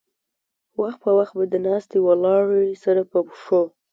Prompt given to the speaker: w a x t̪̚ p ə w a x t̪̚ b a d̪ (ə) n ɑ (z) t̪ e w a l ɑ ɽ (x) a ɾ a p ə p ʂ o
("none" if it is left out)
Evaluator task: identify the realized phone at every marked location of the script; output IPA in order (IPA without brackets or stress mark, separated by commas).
ə, s, s